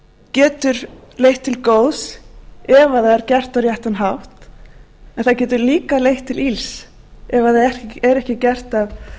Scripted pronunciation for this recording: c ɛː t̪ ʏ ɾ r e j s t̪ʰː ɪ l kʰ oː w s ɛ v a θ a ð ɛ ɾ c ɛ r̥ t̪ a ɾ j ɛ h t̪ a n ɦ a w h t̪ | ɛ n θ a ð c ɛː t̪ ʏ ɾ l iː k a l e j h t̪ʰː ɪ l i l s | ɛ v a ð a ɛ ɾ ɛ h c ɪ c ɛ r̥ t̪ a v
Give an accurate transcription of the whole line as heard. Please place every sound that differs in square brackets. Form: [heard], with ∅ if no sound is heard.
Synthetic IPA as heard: c ɛː t̪ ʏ ɾ [l] e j [h] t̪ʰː ɪ l [k] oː w s ɛ v a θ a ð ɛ ɾ c ɛ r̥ t̪ a ɾ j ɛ h t̪ a n ɦ a w h t̪ | ɛ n θ a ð c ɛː t̪ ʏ ɾ l iː k a l e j h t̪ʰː ɪ l i l s | ɛ v a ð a ɛ ɾ ɛ h c ɪ c ɛ r̥ t̪ a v

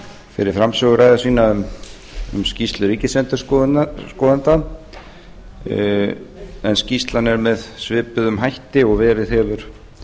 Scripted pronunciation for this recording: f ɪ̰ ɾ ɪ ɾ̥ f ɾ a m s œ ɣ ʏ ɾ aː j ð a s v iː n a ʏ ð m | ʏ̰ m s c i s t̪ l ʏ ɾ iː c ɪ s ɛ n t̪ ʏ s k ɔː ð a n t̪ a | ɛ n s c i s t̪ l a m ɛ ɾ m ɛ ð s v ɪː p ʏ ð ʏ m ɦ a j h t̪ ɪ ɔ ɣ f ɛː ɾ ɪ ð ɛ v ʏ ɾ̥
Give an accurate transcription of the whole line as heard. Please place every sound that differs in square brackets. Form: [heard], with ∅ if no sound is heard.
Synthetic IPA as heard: f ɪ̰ ɾ ɪ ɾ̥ f ɾ a m s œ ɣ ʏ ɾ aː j ð a s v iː n a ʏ [∅] m | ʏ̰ m s c i s t̪ l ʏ ɾ iː c ɪ s ɛ n t̪ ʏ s k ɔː ð a n t̪ a | ɛ n s c i s t̪ l a [n] ɛ ɾ m ɛ ð s v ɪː p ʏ ð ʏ m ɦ a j h t̪ ɪ ɔ ɣ [v] ɛː ɾ ɪ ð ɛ v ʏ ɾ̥

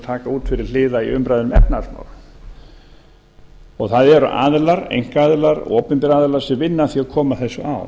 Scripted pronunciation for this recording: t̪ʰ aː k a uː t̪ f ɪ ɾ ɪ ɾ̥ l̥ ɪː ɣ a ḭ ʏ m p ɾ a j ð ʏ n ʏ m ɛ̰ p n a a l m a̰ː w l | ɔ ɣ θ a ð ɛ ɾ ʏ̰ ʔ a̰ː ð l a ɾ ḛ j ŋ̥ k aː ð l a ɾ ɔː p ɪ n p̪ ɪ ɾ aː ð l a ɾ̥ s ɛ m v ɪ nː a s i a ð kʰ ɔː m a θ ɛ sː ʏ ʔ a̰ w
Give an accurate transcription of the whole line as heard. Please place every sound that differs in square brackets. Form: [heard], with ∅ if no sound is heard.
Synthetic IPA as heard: t̪ʰ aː k a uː t̪ f ɪ ɾ ɪ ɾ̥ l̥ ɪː [ð] a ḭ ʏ m p ɾ a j ð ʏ n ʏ m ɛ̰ p n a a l m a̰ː w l | ɔ ɣ θ a ð ɛ ɾ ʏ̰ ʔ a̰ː ð l a ɾ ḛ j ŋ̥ k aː ð l a ɾ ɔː p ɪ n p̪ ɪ ɾ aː ð l a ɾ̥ s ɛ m v ɪ nː a [θ] i a ð kʰ ɔː m a θ ɛ sː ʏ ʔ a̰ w

